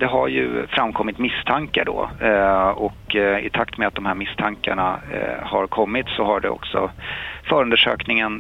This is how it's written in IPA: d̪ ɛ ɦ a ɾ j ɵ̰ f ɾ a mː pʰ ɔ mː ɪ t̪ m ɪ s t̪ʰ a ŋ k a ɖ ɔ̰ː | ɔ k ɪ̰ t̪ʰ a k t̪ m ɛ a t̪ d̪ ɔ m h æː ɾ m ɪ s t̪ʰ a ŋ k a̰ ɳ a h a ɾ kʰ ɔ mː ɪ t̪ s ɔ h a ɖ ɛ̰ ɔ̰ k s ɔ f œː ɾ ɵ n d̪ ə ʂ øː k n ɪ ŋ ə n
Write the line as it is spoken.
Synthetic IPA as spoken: d̪ ɛ ɦ a ɾ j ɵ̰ f ɾ a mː kʰ ɔ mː ɪ t̪ m ɪ s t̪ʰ a ŋ k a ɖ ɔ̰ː | ɔ k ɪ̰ t̪ʰ a k t̪ m ɛ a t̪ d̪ ɔ m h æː ɾ m ɪ s t̪ʰ a ŋ k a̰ ɳ a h a ɾ kʰ ɔ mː ɪ t̪ s ɔ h a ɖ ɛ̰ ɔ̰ k s ɔ f œː ɾ ɵ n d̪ ə ʂ øː k n ɪ ŋ ə n